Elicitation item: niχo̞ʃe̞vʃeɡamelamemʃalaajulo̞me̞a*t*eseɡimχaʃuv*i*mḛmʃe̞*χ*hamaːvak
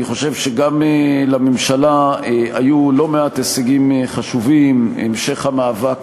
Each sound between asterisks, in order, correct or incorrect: correct, correct, correct

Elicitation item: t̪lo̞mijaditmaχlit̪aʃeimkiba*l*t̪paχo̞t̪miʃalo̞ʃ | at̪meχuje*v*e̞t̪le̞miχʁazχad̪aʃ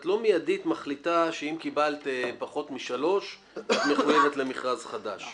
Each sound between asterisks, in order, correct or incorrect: correct, correct

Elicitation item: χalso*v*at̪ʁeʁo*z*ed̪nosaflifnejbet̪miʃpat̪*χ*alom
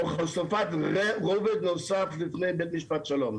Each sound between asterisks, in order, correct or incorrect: incorrect: f, incorrect: v, incorrect: ʃ

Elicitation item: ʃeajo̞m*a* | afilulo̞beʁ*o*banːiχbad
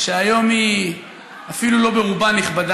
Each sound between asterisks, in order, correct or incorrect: incorrect: i, incorrect: u

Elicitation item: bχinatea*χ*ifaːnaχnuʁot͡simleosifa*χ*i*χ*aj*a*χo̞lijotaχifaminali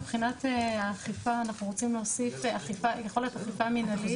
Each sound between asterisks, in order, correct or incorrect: correct, correct, incorrect: f, incorrect: e

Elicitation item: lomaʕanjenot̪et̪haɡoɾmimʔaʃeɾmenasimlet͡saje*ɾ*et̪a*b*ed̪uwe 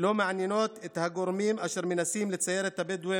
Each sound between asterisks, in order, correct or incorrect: correct, correct

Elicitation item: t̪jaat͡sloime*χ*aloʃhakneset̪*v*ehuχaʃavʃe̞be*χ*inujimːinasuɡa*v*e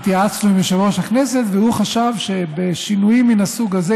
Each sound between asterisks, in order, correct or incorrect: incorrect: ʃ, correct, incorrect: ʃ, incorrect: z

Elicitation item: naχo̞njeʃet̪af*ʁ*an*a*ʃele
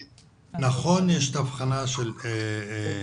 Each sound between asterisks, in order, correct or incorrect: incorrect: χ, correct

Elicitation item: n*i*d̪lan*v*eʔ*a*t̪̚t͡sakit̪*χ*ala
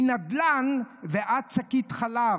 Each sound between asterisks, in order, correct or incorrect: incorrect: a, correct, correct, correct

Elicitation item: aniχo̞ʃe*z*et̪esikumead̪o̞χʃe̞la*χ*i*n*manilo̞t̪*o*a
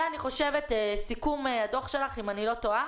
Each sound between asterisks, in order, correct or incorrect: incorrect: v, correct, incorrect: none, correct

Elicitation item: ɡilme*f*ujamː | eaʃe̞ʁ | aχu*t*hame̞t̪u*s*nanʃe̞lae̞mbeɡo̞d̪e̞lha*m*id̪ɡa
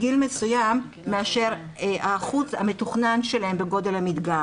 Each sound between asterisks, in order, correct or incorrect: incorrect: s, incorrect: t͡s, incorrect: χ, correct

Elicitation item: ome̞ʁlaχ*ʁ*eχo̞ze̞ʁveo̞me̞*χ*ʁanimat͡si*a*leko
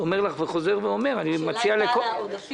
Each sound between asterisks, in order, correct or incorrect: incorrect: v, incorrect: none, correct

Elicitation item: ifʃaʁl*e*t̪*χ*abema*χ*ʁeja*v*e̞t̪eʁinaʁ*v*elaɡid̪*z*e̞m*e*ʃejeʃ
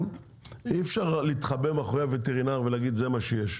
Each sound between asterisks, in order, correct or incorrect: incorrect: i, correct, correct, correct, correct, correct, incorrect: a

